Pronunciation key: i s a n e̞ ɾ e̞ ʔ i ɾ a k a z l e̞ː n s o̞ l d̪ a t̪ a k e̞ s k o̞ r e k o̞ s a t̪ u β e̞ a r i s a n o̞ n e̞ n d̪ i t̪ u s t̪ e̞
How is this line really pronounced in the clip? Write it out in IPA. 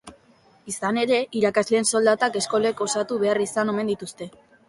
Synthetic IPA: i s a n e̞ ɾ e̞ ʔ i ɾ a k a z l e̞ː n s o̞ l d̪ a t̪ a k e̞ s k o̞ l e k o̞ s a t̪ u β e̞ a r i s a n o̞ m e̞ n d̪ i t̪ u s t̪ e̞